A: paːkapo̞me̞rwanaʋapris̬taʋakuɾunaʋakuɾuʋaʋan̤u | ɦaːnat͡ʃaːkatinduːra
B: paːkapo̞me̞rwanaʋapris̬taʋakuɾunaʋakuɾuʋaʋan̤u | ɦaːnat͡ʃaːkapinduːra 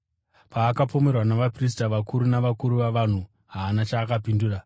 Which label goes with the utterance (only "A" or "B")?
B